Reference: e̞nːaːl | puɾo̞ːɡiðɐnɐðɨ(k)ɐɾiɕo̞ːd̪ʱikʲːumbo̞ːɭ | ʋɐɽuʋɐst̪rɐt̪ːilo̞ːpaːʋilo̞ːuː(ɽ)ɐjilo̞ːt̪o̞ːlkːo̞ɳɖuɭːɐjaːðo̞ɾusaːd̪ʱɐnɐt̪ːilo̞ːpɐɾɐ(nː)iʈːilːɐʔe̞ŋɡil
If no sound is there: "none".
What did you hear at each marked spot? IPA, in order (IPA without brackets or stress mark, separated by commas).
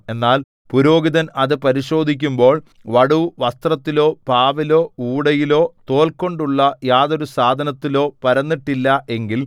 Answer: p, ɽ, nː